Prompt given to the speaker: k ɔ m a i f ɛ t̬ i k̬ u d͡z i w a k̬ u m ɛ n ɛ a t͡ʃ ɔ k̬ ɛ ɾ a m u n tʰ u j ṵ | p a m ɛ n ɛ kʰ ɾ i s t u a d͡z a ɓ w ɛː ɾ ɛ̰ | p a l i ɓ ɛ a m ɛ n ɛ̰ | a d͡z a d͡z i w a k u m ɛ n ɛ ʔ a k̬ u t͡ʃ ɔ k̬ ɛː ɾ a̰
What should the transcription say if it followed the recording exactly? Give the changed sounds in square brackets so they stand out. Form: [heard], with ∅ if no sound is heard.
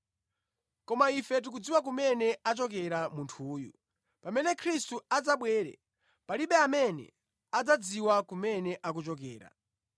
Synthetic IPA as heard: k ɔ m a i f ɛ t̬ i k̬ u d͡z i w a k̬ u m ɛ n ɛ a t͡ʃ ɔ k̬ ɛ ɾ a m u n tʰ [uː] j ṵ | p a m ɛ n ɛ kʰ ɾ i s t u a d͡z a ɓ w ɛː ɾ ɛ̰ | p a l i ɓ ɛ a m ɛ n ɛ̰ | a d͡z a d͡z i w a k u m ɛ n ɛ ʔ a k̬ u t͡ʃ ɔ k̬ ɛː ɾ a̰

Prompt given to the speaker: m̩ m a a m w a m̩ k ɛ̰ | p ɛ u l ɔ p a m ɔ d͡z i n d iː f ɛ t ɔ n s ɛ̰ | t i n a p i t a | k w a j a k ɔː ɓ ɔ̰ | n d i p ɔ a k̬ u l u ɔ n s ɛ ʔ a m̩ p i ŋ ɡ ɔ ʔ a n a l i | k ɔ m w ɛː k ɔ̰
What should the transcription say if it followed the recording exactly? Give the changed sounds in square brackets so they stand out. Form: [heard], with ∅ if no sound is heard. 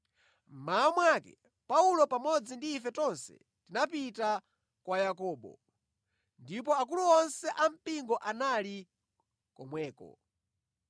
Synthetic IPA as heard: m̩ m a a m w a [∅] k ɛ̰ | p [a] u l ɔ p a m ɔ d͡z i n d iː f ɛ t ɔ n s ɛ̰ | t i n a p i t a | k w a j a k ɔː ɓ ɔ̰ | n d i p ɔ a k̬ u l u ɔ n s ɛ ʔ a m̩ p i ŋ ɡ ɔ ʔ a n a l i | k ɔ m w ɛː k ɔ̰

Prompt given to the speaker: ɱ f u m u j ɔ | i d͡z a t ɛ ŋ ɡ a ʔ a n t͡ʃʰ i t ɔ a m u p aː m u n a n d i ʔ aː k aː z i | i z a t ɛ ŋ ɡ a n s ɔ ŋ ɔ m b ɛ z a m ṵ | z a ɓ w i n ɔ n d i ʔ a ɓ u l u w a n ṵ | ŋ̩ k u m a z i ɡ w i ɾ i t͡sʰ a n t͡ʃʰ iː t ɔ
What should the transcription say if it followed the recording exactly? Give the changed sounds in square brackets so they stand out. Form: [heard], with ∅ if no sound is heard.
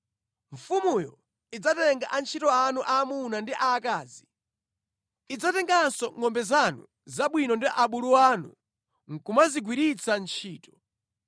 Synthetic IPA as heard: ɱ f u m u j ɔ | i d͡z a t ɛ ŋ ɡ a ʔ a n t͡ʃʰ i t ɔ a [n] u [ʔ] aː m u n a n d i ʔ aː k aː z i | i [d͡z] a t ɛ ŋ ɡ a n s ɔ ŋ ɔ m b ɛ z a [n] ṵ | z a ɓ w i n ɔ n d i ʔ a ɓ u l u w a n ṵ | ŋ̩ k u m a z i ɡ w i ɾ i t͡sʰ a n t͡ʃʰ iː t ɔ

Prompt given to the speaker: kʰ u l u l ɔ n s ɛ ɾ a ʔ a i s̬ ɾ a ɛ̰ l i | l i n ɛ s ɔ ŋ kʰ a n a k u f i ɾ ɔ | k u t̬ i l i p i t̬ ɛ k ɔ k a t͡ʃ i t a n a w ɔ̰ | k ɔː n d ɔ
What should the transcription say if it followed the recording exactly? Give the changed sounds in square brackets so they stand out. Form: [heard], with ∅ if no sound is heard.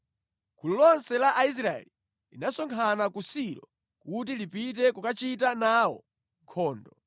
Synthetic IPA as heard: kʰ u l u l ɔ n s ɛ [l] a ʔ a i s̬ ɾ a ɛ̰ l i | l i n [a] s ɔ ŋ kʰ a n a k u [s] i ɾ ɔ | k u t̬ i l i p i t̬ ɛ k [u] k a t͡ʃ i t a n a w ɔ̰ | [kʰ] ɔː n d ɔ

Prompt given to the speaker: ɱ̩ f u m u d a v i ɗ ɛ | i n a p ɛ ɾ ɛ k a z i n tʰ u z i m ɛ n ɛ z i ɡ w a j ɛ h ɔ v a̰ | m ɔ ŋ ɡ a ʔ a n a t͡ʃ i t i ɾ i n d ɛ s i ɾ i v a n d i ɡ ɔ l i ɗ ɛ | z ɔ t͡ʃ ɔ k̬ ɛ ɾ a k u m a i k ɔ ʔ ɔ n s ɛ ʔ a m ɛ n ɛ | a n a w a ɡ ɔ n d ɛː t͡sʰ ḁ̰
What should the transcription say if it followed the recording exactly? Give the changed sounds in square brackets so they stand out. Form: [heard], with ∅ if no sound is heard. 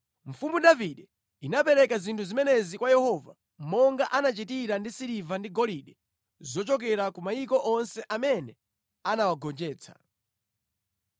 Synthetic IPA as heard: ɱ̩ f u m u d a v i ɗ ɛ | i n a p ɛ ɾ ɛ k a z i n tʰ u z i m ɛ n ɛ z i [k] w a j ɛ h ɔ v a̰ | m ɔ ŋ ɡ a ʔ a n a t͡ʃ i t i ɾ [a] n d [i] s i ɾ i v a n d i ɡ ɔ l i ɗ ɛ | z ɔ t͡ʃ ɔ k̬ ɛ ɾ a k u m a i k ɔ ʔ ɔ n s ɛ ʔ a m ɛ n ɛ | a n a w a ɡ ɔ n [d͡ʒ] ɛː t͡sʰ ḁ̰

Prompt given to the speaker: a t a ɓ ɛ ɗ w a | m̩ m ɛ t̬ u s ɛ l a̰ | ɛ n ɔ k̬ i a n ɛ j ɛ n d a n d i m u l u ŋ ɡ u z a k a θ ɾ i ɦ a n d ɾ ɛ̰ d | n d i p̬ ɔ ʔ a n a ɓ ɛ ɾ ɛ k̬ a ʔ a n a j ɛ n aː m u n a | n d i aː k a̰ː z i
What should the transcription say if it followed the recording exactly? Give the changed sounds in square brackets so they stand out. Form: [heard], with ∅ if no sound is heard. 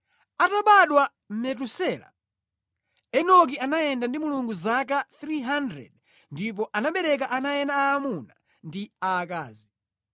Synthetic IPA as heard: a t a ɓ [a] ɗ w a | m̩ m ɛ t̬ u s ɛ l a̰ | ɛ n ɔ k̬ i a n [a] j ɛ n d a n d i m u l u ŋ ɡ u z a k a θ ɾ i ɦ a n d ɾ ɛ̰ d | n d i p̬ ɔ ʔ a n a ɓ ɛ ɾ ɛ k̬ a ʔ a n a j ɛ n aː m u n a | n d i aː k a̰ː z i

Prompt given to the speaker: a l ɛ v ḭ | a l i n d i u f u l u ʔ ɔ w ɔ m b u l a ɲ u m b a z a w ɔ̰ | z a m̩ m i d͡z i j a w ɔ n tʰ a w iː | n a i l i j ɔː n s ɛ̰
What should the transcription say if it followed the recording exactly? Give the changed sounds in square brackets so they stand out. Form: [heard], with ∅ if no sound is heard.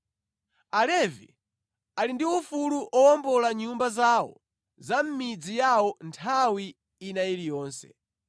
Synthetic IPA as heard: a l ɛ v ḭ | a l i n d i u f u l u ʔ ɔ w ɔ m b [ɔ] l a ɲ u m b a z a w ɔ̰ | z a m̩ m i d͡z i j a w ɔ n tʰ a w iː | n a i l i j ɔː n s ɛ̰

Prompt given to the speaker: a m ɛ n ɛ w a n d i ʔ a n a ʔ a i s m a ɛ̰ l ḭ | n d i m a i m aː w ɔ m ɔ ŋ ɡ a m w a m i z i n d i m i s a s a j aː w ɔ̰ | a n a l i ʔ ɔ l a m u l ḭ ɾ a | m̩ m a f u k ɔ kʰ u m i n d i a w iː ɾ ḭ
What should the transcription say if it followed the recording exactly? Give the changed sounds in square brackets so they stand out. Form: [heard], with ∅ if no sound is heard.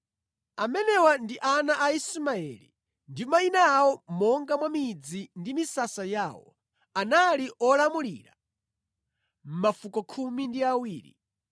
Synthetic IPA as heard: a m ɛ n ɛ w a n d i ʔ a n a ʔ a i s m a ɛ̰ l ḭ | n d i m a i [n] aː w ɔ m ɔ ŋ ɡ a m w a m i [d͡z] i n d i m i s a s a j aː w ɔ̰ | a n a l i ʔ ɔ l a m u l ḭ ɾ a | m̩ m a f u k ɔ kʰ u m i n d i a w iː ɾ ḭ

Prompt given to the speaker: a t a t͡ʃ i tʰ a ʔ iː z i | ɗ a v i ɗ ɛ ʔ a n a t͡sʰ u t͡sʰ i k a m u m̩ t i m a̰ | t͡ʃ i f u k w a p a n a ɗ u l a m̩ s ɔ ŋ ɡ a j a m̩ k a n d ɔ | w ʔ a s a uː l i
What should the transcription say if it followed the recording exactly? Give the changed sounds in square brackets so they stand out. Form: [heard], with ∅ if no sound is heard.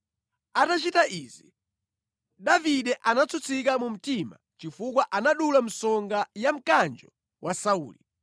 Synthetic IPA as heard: a t a t͡ʃ i [t] a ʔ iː z i | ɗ a v i ɗ ɛ ʔ a n a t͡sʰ u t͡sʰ i k a m u m̩ t i m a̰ | t͡ʃ i f u k w a [ʔ] a n a ɗ u l a m̩ s ɔ ŋ ɡ a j a m̩ k a n [d͡ʒ] ɔ | w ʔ a s a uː l i

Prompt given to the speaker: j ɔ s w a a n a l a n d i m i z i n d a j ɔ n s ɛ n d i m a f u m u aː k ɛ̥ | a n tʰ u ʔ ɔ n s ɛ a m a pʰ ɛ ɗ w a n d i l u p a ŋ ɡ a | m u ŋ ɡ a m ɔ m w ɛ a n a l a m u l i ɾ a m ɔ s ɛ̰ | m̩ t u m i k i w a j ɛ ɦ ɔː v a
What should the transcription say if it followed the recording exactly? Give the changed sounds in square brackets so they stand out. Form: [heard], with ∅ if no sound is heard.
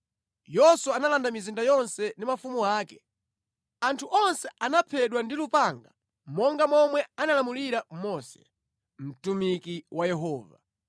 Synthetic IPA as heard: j ɔ s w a a n a l a n d [a] m i z i n d a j ɔ n s ɛ n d i m a f u m u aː k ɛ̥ | a n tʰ u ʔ ɔ n s ɛ a [n] a pʰ ɛ ɗ w a n d i l u p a ŋ ɡ a | m [ɔ] ŋ ɡ a m ɔ m w ɛ a n a l a m u l i ɾ a m ɔ s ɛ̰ | m̩ t u m i k i w a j ɛ ɦ ɔː v a

